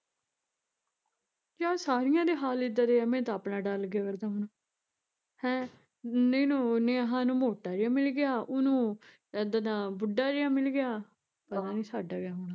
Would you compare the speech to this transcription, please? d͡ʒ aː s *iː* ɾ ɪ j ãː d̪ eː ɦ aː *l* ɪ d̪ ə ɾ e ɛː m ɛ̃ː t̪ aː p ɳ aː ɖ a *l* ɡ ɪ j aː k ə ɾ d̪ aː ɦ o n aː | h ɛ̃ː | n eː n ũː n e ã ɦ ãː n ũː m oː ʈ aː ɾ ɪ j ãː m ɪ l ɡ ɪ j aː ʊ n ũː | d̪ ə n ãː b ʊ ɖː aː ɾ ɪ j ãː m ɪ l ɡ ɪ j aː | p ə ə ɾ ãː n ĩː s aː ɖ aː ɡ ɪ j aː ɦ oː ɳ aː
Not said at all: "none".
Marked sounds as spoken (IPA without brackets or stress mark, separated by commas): aː, l, l